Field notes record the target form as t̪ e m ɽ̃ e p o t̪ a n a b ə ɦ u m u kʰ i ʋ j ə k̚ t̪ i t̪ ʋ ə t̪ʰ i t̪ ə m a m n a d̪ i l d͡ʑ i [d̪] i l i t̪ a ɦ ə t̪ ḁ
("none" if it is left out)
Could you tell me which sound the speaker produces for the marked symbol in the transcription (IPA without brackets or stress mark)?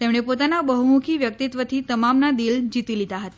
t̪